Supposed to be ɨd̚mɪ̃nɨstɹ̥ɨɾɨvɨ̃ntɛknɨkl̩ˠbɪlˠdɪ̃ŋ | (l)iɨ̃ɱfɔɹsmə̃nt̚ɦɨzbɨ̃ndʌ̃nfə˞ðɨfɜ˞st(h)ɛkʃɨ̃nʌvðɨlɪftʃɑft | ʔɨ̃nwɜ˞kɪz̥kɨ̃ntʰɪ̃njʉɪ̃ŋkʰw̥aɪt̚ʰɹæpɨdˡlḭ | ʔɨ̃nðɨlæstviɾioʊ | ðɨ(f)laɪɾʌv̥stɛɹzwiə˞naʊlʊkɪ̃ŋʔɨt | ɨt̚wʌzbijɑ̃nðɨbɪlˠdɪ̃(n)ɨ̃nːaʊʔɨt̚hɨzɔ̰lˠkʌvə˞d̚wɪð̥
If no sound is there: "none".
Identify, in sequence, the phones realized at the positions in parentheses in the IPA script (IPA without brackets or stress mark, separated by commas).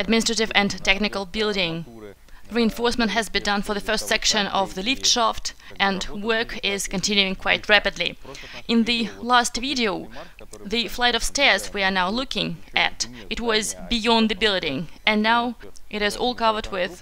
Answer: ɹ, s, f, ŋ